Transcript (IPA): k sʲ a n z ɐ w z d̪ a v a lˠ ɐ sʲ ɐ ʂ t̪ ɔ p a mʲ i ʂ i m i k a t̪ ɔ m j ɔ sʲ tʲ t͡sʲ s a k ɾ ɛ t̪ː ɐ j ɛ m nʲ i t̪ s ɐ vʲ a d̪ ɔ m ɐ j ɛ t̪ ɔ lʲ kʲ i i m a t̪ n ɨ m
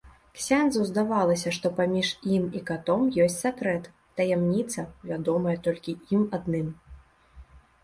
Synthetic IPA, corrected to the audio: k sʲ a n z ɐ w z d̪ a v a lˠ ɐ sʲ ɐ ʂ t̪ ɔ p a mʲ i ʂ i m i k a t̪ ɔ m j ɔ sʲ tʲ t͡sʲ s a k ɾ ɛ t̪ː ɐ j ɛ m nʲ i t̪ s ɐ vʲ a d̪ ɔ m ɐ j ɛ t̪ ɔ lʲ kʲ i i m a d̪ n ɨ m